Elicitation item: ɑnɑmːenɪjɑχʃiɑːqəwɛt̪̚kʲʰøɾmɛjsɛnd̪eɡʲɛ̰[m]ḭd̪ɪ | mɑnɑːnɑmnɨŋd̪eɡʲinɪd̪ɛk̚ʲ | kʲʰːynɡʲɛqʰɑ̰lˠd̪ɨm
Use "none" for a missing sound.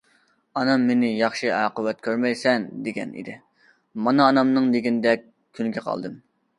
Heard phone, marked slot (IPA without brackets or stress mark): n